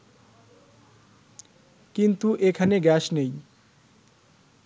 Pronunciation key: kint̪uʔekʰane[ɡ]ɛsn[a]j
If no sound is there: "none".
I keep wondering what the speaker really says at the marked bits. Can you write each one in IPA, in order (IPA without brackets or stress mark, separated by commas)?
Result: ɡ, e